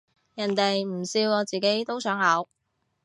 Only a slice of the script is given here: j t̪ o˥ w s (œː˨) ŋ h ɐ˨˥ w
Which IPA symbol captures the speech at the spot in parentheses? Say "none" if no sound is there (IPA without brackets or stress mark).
œː˨˥